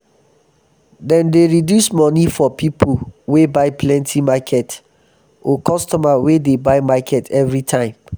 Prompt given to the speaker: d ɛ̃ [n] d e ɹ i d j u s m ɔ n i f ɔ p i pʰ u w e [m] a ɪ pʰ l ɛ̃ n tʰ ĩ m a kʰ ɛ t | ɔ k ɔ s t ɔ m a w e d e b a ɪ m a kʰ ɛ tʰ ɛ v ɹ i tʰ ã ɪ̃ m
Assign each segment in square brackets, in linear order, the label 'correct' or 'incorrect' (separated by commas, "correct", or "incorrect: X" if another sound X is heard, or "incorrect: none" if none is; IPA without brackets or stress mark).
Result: correct, incorrect: b